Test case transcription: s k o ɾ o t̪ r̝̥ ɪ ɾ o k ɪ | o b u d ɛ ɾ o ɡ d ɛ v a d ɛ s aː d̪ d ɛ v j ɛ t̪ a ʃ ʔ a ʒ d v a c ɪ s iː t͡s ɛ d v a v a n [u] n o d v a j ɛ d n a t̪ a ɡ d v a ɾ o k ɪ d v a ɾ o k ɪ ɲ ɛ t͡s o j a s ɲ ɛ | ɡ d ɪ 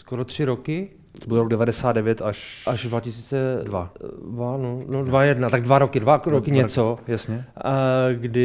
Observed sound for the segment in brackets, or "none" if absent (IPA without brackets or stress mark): o